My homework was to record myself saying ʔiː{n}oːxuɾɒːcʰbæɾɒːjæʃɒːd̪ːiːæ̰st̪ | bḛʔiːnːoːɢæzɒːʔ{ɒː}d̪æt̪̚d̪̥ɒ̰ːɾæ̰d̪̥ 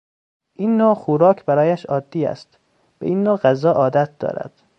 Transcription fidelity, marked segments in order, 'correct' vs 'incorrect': incorrect: nː, correct

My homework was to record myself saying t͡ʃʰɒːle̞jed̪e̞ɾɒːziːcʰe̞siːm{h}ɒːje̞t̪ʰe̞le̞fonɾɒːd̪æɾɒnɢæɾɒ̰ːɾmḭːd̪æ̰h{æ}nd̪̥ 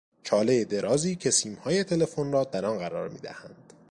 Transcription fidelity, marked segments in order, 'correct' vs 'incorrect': correct, correct

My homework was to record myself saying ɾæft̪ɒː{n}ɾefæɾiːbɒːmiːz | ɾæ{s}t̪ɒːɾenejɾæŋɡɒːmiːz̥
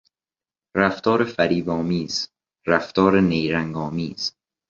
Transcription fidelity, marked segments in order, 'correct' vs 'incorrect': incorrect: none, incorrect: f

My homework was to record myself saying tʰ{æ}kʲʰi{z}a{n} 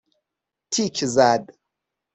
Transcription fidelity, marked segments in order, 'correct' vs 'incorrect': incorrect: i, correct, incorrect: d

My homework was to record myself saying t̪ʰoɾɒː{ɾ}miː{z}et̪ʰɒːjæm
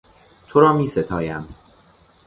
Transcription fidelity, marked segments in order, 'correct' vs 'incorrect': incorrect: none, incorrect: s

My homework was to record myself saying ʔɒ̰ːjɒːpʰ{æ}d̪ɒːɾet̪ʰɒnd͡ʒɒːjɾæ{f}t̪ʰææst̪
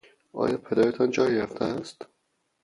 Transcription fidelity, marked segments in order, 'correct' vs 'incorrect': incorrect: e, correct

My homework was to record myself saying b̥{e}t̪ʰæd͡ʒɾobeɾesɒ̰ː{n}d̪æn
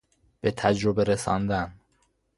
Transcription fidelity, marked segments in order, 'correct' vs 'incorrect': correct, correct

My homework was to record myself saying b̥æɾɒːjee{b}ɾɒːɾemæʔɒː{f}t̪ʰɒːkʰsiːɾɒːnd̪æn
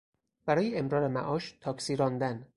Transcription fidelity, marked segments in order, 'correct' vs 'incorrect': incorrect: m, incorrect: ʃ

